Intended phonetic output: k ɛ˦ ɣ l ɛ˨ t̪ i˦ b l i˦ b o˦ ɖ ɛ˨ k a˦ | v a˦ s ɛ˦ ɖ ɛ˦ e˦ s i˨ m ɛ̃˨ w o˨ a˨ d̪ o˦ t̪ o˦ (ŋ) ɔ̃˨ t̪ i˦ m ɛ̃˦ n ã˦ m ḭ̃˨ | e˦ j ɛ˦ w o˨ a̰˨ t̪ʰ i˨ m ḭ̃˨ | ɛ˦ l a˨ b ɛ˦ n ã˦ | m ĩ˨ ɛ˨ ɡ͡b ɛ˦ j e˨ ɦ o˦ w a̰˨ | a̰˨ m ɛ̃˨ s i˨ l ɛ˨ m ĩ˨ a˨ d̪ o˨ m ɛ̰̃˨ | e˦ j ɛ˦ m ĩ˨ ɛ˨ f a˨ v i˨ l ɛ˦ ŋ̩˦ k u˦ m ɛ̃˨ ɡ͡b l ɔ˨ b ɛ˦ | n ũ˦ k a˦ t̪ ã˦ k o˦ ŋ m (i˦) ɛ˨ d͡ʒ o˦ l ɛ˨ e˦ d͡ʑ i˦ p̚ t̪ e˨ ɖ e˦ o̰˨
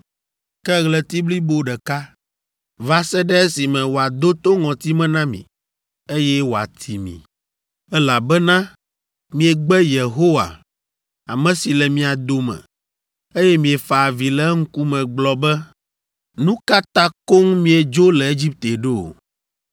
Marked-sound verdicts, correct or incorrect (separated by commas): correct, incorrect